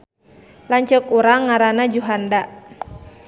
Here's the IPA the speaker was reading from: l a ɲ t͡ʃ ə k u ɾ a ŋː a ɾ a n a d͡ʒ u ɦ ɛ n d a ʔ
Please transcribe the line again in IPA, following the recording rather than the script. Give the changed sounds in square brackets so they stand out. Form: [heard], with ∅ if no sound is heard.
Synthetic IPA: l a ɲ t͡ʃ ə k u ɾ a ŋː a ɾ a n a d͡ʒ u ɦ [a] n d a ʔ